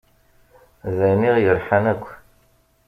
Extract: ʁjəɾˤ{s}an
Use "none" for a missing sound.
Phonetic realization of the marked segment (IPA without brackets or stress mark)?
ħ